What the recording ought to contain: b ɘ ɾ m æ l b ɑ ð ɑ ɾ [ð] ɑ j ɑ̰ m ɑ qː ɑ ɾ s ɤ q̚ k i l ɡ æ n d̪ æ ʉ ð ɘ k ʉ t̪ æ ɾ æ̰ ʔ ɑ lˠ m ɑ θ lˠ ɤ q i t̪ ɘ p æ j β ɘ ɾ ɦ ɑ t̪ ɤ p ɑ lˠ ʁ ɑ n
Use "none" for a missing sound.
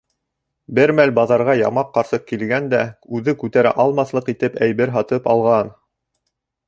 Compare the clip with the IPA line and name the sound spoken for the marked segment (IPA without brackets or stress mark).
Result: ʁ